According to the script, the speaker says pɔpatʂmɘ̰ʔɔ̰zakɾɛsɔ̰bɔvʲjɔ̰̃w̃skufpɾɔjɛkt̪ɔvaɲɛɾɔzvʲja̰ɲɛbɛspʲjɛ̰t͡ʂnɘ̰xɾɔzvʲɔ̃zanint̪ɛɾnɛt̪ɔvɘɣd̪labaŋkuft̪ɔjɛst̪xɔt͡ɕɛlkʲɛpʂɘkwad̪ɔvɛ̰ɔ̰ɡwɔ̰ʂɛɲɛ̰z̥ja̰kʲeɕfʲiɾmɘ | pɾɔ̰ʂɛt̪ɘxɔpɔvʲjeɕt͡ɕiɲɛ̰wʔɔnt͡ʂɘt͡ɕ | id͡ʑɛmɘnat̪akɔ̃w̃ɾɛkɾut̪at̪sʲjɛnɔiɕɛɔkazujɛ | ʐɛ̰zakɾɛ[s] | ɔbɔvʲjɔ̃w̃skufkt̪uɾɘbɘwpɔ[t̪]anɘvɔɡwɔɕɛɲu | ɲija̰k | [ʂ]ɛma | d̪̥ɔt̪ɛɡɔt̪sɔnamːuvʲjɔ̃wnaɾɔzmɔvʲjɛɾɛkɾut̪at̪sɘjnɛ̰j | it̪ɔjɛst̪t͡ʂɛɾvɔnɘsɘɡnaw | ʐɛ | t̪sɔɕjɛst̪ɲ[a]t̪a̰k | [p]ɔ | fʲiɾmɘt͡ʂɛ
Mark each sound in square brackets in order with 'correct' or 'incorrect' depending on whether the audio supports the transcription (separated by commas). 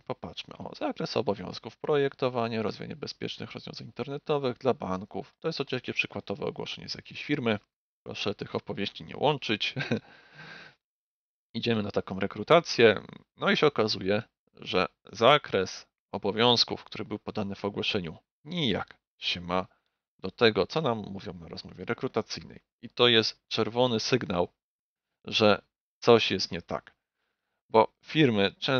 correct, incorrect, incorrect, incorrect, incorrect